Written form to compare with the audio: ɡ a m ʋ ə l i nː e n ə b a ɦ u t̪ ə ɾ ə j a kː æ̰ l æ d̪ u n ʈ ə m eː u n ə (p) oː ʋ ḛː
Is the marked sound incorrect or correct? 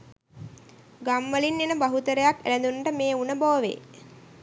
incorrect